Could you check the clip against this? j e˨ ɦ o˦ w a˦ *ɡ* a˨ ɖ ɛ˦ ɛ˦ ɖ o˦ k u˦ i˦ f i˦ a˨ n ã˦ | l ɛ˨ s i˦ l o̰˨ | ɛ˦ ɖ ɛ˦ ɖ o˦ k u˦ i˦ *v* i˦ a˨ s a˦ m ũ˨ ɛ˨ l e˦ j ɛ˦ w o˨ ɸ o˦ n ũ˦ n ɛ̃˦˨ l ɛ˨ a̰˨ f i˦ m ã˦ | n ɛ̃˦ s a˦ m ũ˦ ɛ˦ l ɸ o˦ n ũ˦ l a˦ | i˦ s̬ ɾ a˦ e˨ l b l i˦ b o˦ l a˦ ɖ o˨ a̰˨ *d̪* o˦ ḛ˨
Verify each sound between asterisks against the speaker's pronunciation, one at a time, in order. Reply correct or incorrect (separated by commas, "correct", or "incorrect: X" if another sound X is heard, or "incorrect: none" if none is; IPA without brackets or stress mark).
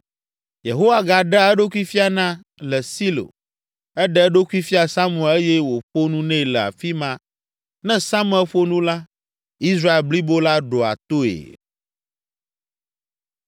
correct, incorrect: f, incorrect: t̪